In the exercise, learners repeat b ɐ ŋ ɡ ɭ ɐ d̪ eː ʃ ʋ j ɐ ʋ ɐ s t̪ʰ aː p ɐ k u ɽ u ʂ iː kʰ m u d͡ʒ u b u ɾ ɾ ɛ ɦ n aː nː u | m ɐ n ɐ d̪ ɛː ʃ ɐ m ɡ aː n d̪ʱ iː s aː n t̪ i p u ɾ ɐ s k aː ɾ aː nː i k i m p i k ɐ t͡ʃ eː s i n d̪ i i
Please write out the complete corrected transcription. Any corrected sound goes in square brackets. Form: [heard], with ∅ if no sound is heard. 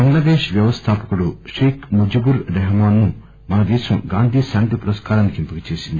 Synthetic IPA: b ɐ ŋ ɡ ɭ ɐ d̪ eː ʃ ʋ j ɐ ʋ ɐ s t̪ʰ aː p ɐ k u ɽ u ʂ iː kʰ m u d͡ʒ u b u ɾ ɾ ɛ ɦ [m] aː nː u | m ɐ n ɐ d̪ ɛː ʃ ɐ m ɡ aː n d̪ʱ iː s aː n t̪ i p u ɾ ɐ s k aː ɾ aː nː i k i m p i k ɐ t͡ʃ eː s i n d̪ i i